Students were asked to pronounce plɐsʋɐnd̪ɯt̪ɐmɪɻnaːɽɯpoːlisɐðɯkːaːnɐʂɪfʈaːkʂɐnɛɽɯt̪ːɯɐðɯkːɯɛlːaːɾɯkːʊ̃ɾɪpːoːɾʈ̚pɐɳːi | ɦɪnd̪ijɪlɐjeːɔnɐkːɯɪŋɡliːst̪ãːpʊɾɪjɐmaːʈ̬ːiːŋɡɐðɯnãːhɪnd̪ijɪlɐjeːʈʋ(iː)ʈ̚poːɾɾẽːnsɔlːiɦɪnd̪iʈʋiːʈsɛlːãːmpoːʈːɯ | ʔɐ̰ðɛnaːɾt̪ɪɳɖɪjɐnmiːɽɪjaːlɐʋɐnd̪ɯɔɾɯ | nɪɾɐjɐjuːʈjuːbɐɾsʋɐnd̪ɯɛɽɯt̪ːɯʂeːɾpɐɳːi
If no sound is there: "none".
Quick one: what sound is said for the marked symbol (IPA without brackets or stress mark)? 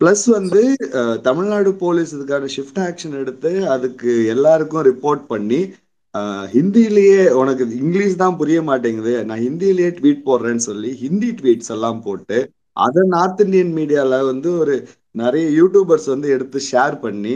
iː